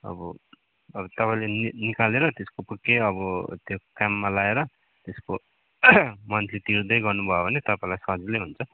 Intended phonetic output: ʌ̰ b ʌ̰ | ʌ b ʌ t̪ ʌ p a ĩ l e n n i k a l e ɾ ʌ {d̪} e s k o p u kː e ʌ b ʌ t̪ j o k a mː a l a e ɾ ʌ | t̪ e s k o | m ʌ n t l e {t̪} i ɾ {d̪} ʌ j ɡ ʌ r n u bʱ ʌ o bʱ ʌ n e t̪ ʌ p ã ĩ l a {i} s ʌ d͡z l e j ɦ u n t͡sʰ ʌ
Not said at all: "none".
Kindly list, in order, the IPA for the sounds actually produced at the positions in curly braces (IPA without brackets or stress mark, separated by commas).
t̪, t̪, d̪, j